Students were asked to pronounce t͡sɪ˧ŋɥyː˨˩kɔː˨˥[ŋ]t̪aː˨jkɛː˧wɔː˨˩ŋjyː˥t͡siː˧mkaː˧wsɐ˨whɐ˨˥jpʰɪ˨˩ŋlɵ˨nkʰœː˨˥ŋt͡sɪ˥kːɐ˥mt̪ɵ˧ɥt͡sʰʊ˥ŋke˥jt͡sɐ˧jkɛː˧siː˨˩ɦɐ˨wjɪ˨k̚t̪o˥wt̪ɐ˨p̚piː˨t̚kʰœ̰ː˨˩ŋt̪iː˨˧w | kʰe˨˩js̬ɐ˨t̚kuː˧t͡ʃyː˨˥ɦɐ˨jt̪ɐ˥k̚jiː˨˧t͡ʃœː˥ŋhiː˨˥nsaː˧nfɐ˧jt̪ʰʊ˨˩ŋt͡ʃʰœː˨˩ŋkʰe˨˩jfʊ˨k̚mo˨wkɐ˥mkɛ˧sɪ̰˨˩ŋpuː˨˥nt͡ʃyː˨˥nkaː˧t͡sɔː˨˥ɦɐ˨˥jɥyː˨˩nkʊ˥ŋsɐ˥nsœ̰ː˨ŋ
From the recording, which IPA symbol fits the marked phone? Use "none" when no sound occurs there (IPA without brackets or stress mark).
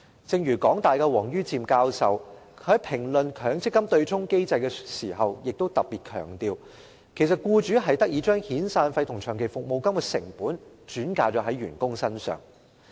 ŋ